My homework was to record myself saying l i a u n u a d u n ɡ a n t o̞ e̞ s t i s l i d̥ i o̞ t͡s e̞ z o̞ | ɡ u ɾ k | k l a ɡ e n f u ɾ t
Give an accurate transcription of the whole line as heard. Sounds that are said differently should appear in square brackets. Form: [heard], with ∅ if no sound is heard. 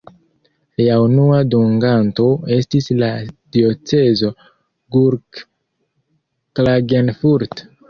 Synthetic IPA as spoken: l i a u n u a d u [ŋ] ɡ a n t o̞ e̞ s t i s l [a] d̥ i o̞ t͡s e̞ z o̞ | ɡ u ɾ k | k l a ɡ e n f u ɾ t